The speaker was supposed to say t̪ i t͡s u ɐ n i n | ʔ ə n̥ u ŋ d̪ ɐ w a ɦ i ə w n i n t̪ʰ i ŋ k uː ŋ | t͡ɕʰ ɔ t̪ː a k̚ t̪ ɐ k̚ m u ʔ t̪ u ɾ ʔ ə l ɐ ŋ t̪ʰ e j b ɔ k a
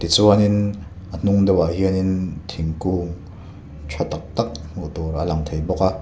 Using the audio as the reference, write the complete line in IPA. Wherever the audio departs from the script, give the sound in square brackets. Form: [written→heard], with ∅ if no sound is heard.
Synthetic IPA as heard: t̪ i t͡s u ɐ n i n | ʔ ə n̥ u ŋ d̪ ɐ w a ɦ i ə [w→∅] n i n t̪ʰ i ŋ k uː ŋ | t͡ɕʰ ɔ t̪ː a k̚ t̪ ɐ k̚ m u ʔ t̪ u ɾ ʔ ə l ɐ ŋ t̪ʰ e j b ɔ k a